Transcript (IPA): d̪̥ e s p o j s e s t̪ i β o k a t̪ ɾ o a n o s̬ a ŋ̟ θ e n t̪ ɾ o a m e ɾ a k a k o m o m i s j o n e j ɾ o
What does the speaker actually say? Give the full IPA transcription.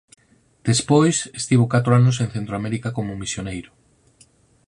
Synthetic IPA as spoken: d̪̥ e s p o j s e s t̪ i β o k a t̪ ɾ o a n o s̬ e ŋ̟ θ e n t̪ ɾ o a m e ɾ i k a k o m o m i s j o n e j ɾ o